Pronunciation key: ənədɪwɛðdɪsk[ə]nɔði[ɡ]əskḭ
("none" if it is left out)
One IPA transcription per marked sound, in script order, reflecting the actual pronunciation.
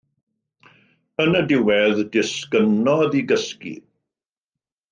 ə, ɡ

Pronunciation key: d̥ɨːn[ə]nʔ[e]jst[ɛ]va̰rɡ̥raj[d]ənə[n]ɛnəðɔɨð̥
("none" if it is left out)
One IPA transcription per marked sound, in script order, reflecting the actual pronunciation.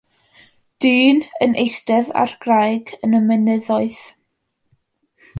ə, e, ɛ, ɡ, m

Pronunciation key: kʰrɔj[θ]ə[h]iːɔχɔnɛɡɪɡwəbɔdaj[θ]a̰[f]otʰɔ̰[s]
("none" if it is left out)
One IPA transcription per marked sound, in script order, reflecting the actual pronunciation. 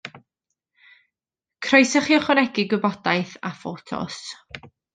s, χ, θ, f, s

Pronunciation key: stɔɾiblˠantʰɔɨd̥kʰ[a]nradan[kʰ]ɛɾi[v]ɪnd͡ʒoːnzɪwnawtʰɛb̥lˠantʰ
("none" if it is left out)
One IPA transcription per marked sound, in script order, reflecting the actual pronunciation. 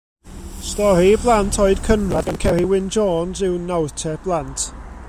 ə, kʰ, w

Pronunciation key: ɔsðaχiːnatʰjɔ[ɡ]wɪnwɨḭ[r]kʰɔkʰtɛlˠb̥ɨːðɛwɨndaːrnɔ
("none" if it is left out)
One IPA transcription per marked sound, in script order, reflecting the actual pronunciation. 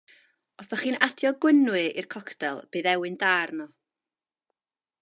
ɡ, r

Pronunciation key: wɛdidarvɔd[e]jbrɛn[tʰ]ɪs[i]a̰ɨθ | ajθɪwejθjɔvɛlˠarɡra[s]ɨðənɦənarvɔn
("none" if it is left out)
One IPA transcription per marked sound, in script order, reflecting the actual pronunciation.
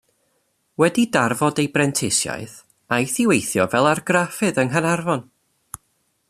e, tʰ, j, f

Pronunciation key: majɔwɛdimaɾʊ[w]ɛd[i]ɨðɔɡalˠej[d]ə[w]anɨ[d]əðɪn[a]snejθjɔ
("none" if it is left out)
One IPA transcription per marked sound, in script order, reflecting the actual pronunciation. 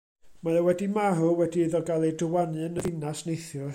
w, i, d, w, n, a

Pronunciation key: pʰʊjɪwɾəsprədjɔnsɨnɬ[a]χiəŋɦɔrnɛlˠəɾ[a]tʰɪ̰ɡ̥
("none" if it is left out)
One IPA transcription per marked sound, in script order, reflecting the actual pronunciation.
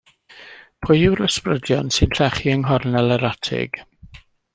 ɛ, a

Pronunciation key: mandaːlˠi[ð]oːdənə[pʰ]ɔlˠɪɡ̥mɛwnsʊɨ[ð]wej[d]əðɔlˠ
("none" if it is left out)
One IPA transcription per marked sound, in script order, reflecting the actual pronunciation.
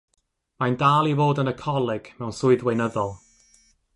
v, kʰ, ð, n

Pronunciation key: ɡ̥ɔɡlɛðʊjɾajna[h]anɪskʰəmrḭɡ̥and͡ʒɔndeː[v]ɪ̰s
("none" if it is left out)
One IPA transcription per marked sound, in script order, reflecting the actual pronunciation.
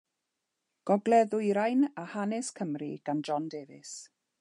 h, v

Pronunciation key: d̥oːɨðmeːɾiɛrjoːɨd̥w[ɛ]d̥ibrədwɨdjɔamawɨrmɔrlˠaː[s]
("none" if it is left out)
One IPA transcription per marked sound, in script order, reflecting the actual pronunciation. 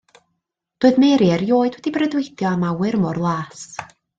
ɛ, s

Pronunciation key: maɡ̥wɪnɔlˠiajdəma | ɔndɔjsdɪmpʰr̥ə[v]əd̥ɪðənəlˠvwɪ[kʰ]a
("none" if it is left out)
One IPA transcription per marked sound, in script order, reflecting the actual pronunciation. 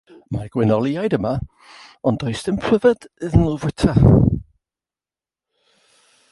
v, tʰ

